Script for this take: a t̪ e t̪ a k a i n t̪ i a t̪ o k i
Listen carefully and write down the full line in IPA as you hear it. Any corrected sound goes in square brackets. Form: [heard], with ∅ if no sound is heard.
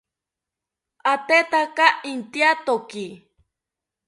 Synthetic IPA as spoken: a t̪ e t̪ a k a i n t̪ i a t̪ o k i